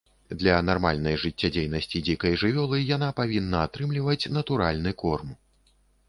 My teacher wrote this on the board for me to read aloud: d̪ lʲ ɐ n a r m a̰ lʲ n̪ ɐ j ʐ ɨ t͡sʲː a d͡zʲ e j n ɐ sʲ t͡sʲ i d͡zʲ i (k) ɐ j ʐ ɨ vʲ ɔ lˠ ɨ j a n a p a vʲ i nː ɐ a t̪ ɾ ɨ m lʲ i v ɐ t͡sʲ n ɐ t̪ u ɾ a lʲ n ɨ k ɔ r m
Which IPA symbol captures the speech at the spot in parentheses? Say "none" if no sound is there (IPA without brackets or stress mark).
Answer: k